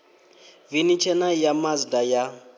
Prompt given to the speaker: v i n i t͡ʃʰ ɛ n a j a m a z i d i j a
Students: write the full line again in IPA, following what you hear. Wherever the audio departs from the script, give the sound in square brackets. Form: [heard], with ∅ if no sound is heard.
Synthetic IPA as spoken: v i n i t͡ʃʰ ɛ n a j a m a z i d [a] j a